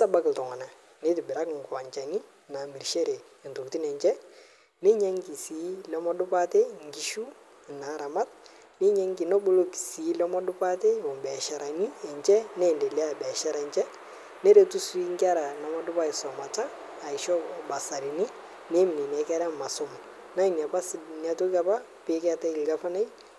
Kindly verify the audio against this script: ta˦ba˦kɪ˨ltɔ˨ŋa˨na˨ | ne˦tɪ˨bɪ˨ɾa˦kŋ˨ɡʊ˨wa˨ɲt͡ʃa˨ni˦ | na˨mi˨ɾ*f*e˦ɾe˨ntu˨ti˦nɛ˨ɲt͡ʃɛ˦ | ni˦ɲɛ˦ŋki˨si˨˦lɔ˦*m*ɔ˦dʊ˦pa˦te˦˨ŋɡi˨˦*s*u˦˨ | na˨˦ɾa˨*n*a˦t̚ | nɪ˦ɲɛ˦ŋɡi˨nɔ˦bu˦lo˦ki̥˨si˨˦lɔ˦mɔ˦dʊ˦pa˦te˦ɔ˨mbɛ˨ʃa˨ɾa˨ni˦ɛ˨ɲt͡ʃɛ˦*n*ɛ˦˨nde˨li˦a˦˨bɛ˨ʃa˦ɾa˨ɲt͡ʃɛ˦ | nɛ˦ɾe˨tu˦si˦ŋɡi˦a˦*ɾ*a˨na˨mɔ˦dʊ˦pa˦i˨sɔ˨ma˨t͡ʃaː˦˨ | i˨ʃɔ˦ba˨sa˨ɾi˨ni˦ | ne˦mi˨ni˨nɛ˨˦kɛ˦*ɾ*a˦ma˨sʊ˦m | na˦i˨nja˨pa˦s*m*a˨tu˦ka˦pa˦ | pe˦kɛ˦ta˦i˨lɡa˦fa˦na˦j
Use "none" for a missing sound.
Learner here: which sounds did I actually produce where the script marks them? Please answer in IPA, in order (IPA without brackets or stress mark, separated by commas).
ʃ, m, ʃ, m, n, ɾ, ɾ, n